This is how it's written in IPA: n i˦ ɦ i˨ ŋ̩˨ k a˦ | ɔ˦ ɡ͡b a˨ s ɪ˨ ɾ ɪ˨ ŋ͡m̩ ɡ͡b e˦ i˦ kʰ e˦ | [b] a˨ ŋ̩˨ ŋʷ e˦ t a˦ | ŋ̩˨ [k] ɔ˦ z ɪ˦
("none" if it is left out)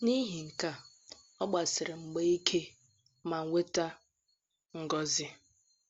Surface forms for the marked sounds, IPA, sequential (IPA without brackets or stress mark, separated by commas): m, ɡ